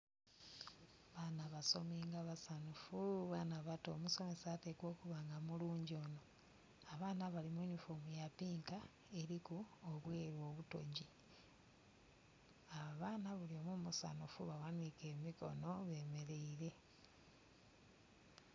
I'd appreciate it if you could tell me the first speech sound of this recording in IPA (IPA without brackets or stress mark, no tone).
β